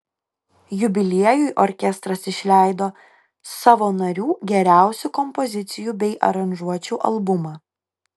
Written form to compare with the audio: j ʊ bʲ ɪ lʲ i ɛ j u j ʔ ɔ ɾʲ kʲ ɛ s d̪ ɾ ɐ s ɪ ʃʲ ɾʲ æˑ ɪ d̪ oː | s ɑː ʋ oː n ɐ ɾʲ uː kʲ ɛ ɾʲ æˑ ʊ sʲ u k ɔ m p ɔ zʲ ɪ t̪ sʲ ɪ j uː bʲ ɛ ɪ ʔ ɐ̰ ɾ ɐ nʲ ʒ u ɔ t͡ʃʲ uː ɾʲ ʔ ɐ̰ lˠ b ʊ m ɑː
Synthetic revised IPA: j ʊ bʲ ɪ lʲ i ɛ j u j ʔ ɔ ɾʲ kʲ ɛ s t̪ ɾ ɐ s ɪ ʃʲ lʲ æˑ ɪ d̪ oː | s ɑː ʋ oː n ɐ ɾʲ uː ɡʲ ɛ ɾʲ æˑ ʊ sʲ u k ɔ m p ɔ zʲ ɪ t̪ sʲ ɪ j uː bʲ ɛ ɪ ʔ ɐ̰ ɾ ɐ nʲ ʒ u ɔ t͡ʃʲ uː ʔ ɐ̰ lˠ b ʊ m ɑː